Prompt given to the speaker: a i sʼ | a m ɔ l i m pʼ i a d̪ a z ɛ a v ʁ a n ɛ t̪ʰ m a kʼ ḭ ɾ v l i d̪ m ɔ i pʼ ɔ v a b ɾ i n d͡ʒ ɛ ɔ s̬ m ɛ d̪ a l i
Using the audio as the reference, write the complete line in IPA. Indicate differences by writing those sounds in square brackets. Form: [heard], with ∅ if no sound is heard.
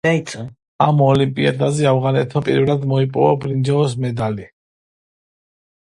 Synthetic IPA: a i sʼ | a m ɔ l i m pʼ i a d̪ a z ɛ a v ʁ a n ɛ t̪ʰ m a [pʼ] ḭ ɾ v l [a] d̪ m ɔ i pʼ ɔ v a b ɾ i n d͡ʒ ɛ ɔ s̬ m ɛ d̪ a l i